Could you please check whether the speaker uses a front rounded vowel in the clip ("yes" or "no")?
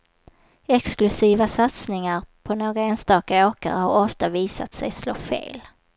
no